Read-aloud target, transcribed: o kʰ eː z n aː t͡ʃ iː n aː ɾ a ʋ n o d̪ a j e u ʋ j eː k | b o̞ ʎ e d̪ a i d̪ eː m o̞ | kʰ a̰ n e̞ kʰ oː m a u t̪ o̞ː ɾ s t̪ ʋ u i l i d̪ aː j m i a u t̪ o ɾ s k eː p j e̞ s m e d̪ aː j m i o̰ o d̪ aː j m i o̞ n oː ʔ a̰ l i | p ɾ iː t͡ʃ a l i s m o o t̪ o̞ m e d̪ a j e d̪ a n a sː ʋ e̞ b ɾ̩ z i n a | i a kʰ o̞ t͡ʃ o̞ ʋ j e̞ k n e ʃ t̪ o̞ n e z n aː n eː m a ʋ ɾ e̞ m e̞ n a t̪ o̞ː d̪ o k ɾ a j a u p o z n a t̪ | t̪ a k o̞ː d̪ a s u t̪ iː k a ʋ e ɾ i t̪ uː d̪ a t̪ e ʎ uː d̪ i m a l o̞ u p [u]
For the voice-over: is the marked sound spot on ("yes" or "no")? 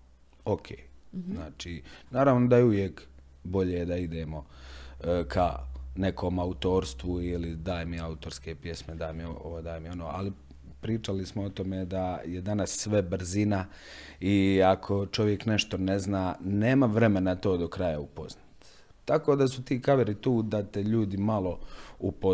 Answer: no